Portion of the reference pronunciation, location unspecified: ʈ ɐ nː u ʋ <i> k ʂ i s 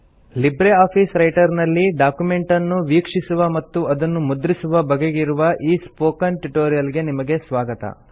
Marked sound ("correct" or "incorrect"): incorrect